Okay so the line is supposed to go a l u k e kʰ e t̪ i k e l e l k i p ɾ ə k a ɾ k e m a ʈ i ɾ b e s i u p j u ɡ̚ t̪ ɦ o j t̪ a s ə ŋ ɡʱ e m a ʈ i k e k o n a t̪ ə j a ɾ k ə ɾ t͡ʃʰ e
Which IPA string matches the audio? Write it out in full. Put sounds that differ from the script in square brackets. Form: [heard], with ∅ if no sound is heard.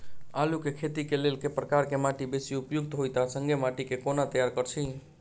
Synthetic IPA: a l u k e kʰ e t̪ i k e l e l k [e] p ɾ ə k a ɾ k e m a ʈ i [∅] b e s i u p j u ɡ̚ t̪ ɦ o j t̪ a s ə ŋ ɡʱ e m a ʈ i k e k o n a t̪ ə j a ɾ k ə ɾ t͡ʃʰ [i]